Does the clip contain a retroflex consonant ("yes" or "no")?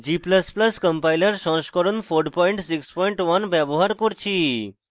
yes